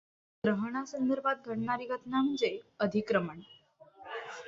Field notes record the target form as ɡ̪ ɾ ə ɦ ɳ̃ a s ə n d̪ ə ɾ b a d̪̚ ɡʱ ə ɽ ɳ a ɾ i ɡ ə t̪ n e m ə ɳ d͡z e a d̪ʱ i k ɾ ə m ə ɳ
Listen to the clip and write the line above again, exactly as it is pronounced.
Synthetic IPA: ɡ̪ ɾ ə ɦ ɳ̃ a s ə n d̪ ə ɾ b a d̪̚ ɡʱ ə ɽ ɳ a ɾ i ɡ ə t̪ n a m ə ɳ d͡z e ə d̪ʱ i k ɾ ə m ə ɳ